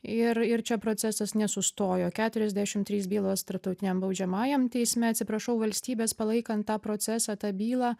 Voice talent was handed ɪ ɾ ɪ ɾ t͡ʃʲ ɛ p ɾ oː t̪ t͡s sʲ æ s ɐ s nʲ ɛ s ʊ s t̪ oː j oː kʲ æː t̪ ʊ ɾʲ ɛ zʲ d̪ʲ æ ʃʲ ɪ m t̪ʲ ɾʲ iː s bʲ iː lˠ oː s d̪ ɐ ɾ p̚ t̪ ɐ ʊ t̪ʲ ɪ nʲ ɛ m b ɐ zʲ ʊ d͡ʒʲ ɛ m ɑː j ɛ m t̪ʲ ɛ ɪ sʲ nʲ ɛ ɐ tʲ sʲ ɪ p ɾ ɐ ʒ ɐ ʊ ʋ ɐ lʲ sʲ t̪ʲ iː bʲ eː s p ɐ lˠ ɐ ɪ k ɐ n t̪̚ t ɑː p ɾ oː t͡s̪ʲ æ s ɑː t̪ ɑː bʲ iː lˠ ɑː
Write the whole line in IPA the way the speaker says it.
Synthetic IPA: ɪ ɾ ɪ ɾ t͡ʃʲ ɛ p ɾ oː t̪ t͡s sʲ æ s ɐ s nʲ ɛ s ʊ s t̪ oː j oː kʲ æː t̪ ʊ ɾʲ ɛ zʲ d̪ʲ æ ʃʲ ɪ m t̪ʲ ɾʲ iː s bʲ iː lˠ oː s t̪ ɐ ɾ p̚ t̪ ɐ ʊ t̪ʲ ɪ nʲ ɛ m b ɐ ʊ d͡ʒʲ ɛ m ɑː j ɛ m t̪ʲ ɛ ɪ sʲ mʲ ɛ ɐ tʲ sʲ ɪ p ɾ ɐ ʃ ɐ ʊ ʋ ɐ lʲ sʲ t̪ʲ iː bʲ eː s p ɐ lˠ ɐ ɪ k ɐ n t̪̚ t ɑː p ɾ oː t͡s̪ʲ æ s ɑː t̪ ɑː bʲ iː lˠ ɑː